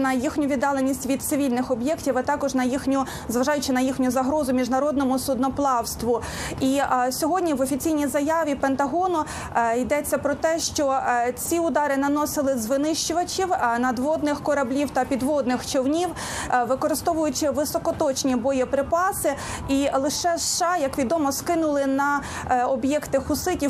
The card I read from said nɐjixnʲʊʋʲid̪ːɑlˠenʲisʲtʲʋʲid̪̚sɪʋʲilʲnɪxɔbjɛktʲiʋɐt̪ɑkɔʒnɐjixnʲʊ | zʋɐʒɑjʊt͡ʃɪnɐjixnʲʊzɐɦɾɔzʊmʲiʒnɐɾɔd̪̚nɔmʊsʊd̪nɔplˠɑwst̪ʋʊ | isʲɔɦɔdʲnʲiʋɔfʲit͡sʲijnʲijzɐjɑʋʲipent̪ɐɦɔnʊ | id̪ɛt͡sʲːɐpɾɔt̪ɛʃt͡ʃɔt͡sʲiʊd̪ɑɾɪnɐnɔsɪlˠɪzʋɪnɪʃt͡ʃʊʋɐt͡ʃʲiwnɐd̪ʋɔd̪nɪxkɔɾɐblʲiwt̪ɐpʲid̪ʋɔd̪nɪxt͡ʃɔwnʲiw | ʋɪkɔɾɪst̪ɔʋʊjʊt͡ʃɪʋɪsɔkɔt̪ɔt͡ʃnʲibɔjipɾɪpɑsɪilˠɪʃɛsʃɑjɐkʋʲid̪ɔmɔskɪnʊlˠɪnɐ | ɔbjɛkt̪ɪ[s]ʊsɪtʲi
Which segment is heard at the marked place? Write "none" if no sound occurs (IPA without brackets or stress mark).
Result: x